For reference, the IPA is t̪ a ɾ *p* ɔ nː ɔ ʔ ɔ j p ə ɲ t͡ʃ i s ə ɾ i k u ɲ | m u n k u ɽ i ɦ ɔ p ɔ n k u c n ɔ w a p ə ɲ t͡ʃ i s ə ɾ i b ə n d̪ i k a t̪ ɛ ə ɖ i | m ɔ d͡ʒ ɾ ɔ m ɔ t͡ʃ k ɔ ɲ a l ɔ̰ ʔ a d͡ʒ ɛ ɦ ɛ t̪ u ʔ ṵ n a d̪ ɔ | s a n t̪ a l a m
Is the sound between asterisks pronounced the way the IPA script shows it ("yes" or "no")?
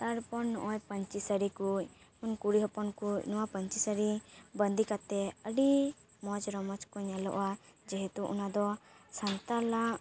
yes